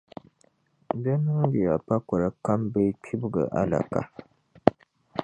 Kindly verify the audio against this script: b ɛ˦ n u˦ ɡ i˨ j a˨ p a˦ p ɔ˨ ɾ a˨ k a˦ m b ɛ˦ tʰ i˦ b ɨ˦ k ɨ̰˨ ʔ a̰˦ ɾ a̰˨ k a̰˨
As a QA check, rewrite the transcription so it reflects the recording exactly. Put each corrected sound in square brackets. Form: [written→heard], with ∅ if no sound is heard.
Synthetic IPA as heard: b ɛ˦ n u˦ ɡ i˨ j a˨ p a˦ [p→k] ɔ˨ ɾ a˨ k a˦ m b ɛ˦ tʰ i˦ b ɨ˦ [k→ɡ] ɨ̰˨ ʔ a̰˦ [ɾ→l] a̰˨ k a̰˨